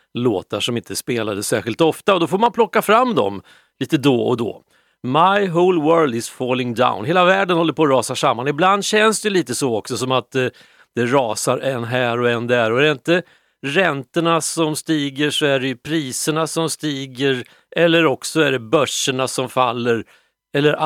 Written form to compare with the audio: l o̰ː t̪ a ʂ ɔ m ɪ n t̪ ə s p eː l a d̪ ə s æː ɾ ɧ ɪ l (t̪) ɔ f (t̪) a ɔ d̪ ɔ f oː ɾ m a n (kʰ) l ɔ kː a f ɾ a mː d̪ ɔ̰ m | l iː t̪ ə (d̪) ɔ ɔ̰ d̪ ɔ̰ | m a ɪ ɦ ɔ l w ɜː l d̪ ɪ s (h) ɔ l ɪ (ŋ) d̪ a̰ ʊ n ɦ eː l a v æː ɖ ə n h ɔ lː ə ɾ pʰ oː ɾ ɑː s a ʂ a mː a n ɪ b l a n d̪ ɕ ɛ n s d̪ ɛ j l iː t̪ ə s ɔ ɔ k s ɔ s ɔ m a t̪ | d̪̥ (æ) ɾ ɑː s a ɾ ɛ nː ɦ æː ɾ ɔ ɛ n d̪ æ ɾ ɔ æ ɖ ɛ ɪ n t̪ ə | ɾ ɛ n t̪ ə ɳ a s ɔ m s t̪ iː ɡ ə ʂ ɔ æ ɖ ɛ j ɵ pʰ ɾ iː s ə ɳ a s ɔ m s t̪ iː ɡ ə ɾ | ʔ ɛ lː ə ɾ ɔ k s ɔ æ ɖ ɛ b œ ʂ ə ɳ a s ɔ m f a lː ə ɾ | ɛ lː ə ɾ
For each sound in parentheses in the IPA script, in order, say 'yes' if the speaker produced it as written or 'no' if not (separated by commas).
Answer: yes, yes, no, yes, no, yes, no